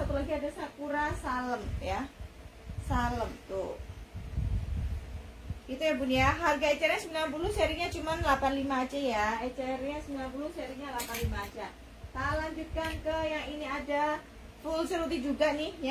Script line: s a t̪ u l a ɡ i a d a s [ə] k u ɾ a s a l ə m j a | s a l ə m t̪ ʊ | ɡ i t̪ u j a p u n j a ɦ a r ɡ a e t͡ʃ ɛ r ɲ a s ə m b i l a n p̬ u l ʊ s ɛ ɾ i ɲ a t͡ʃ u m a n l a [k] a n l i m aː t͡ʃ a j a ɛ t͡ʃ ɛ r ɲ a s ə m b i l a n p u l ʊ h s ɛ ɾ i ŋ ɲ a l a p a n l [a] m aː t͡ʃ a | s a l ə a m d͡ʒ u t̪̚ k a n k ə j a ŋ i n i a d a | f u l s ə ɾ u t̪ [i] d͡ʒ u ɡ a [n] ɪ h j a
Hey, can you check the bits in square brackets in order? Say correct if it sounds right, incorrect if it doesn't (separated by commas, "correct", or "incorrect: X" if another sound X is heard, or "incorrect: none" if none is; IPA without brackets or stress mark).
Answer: incorrect: a, incorrect: p, incorrect: i, correct, correct